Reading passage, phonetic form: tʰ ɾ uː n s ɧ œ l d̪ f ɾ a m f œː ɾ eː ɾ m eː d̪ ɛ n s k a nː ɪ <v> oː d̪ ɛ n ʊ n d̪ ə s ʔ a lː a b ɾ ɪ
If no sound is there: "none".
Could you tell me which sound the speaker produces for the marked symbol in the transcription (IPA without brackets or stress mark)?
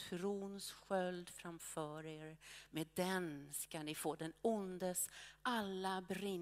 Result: f